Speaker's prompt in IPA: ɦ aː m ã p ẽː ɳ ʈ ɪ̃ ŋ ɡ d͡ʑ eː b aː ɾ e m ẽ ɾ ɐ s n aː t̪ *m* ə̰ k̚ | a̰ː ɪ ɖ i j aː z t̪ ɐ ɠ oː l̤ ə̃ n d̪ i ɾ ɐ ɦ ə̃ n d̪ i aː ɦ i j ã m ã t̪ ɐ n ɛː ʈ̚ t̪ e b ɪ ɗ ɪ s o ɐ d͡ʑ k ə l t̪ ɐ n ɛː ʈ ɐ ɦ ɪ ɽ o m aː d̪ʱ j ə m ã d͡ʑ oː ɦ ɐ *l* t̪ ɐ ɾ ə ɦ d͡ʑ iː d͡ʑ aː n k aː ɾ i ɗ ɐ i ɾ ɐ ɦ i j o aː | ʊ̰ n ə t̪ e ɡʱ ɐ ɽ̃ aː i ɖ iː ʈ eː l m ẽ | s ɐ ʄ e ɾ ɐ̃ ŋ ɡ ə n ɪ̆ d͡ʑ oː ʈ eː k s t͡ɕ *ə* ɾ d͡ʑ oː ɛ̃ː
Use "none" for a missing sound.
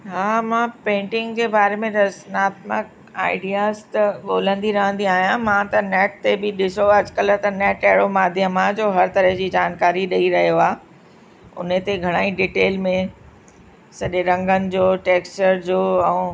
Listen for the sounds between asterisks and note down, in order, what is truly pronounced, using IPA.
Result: m, ɾ, ə

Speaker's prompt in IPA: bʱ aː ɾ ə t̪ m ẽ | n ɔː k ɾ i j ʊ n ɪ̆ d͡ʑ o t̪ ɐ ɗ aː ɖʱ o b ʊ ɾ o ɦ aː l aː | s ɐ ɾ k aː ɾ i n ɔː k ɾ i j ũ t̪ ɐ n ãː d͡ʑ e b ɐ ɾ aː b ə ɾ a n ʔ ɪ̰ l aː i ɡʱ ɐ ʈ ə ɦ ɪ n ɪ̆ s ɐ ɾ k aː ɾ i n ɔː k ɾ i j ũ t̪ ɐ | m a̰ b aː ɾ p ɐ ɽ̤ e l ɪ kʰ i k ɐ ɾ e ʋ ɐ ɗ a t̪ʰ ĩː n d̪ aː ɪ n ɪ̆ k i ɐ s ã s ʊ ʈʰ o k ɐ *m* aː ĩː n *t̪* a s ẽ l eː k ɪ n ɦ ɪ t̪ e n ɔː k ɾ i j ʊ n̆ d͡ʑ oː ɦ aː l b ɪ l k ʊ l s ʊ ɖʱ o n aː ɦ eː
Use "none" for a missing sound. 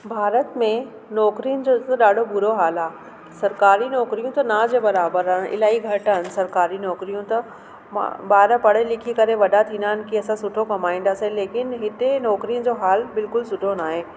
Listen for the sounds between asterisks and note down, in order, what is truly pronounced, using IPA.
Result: m, d̪

